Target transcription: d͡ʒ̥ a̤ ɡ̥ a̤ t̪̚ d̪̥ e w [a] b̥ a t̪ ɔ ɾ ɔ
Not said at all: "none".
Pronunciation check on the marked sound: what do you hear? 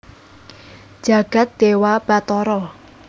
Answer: a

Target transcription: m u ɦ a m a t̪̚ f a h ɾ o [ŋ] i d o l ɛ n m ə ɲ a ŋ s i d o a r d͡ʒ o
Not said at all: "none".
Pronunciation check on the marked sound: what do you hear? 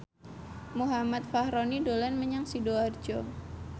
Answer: n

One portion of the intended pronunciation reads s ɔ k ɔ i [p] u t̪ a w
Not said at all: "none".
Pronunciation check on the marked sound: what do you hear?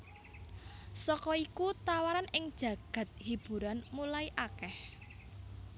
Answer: k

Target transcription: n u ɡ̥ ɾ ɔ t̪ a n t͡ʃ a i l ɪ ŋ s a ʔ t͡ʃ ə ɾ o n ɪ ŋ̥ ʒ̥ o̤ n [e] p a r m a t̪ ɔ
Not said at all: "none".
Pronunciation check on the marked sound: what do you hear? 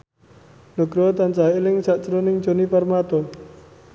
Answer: i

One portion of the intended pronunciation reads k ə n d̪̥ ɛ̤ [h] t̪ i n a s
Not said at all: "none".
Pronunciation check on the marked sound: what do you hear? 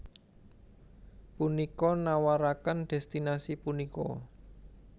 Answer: s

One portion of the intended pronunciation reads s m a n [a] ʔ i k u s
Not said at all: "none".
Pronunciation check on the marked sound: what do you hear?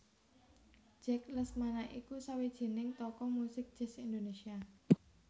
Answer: a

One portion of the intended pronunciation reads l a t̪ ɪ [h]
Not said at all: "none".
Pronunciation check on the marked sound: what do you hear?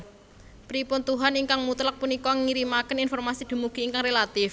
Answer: f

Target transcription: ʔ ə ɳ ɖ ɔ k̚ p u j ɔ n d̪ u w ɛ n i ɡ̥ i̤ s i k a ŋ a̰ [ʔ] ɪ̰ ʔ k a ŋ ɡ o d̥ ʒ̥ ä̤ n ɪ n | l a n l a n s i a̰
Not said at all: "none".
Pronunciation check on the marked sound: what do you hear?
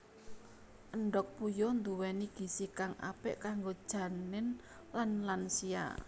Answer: p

